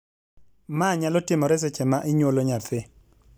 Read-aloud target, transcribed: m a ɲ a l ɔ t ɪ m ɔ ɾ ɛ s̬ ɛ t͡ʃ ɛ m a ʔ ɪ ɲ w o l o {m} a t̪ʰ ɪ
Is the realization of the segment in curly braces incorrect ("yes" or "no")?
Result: yes